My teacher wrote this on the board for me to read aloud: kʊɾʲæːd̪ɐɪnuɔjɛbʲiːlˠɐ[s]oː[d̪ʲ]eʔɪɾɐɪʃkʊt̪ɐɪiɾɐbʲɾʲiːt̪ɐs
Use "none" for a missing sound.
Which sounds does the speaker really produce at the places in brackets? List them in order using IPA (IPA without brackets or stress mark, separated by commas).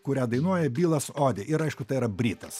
s, d̪ʲ